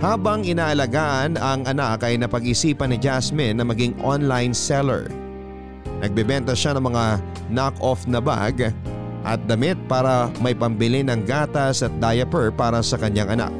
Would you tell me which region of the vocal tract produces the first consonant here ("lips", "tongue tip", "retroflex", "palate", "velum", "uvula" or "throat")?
throat